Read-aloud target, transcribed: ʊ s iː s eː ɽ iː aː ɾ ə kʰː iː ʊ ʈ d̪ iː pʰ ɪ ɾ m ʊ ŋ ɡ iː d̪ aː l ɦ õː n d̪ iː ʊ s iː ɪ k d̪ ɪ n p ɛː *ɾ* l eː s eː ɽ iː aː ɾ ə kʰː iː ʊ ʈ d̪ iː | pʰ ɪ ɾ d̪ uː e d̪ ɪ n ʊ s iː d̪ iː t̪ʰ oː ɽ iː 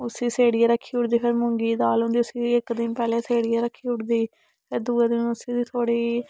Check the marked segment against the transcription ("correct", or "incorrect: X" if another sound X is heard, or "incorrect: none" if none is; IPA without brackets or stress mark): incorrect: none